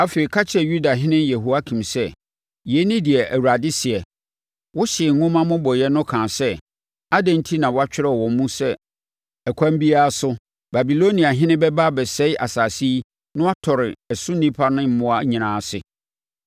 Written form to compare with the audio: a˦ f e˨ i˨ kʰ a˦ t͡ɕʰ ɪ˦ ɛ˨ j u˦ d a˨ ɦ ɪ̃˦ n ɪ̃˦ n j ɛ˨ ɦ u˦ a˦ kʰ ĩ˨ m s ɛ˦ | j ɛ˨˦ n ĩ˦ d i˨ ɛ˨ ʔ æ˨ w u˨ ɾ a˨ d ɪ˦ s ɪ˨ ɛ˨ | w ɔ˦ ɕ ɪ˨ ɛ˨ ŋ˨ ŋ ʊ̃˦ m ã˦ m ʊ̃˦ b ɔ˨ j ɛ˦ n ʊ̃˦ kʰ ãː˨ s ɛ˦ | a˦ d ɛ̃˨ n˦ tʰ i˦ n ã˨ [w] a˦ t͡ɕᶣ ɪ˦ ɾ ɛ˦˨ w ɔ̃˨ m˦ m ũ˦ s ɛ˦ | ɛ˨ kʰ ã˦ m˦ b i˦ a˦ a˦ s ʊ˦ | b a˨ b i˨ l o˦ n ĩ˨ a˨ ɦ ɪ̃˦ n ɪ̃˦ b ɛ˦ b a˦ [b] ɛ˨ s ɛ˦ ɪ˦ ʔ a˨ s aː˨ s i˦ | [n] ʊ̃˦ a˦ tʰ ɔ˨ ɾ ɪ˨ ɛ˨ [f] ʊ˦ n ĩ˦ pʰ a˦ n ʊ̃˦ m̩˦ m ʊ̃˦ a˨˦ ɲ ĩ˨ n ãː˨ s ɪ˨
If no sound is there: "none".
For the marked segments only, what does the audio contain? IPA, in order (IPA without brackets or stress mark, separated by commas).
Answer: w, b, n, s